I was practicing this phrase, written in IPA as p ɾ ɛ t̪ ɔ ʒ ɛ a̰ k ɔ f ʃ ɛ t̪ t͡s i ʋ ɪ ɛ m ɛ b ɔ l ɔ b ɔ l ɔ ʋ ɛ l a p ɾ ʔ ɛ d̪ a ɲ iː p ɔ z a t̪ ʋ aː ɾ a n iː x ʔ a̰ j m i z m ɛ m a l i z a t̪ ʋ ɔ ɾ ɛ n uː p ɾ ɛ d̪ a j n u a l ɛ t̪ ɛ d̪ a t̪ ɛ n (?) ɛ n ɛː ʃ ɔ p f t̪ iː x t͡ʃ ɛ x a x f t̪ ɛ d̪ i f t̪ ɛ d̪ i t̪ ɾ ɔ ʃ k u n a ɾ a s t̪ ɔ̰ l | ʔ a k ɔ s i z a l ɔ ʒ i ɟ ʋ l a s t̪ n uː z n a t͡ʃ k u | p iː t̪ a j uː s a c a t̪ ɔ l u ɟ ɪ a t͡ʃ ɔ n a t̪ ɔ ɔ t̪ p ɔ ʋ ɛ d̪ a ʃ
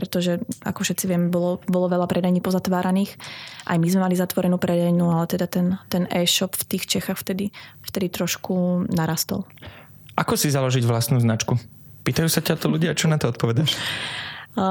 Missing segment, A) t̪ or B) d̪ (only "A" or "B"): A